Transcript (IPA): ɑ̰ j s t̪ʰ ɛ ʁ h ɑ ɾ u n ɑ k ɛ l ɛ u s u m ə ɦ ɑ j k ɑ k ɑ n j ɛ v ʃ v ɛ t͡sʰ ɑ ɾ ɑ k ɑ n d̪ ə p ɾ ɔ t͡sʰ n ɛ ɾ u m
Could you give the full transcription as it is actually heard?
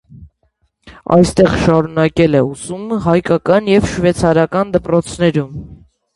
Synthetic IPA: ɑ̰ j s t̪ ɛ ʁ ʃ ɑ ɾ u n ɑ k ɛ l ɛ u s u m ə ɦ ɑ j k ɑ k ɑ n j ɛ v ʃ v ɛ t͡sʰ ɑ ɾ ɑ k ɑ n d̪ ə p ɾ ɔ t͡sʰ n ɛ ɾ u m